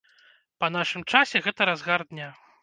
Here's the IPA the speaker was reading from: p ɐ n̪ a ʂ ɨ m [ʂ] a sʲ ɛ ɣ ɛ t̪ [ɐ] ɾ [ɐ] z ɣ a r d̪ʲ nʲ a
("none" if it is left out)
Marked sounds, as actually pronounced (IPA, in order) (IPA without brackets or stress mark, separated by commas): t͡ʂ, ɐ, a